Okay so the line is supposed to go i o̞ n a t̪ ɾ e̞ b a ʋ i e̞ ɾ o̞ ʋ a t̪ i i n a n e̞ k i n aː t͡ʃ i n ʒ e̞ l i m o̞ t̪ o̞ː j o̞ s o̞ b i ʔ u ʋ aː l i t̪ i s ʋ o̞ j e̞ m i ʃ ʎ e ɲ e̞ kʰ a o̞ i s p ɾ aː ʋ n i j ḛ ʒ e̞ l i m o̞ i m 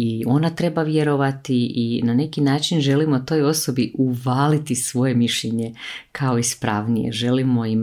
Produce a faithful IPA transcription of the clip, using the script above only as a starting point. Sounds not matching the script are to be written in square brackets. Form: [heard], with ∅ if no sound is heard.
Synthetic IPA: i o̞ n a t̪ ɾ e̞ b a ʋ [j] e̞ ɾ o̞ ʋ a t̪ i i n a n e̞ k i n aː t͡ʃ i n ʒ e̞ l i m o̞ t̪ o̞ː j o̞ s o̞ b i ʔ u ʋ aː l i t̪ i s ʋ o̞ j e̞ m i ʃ ʎ e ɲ e̞ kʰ a o̞ i s p ɾ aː ʋ n i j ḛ ʒ e̞ l i m o̞ i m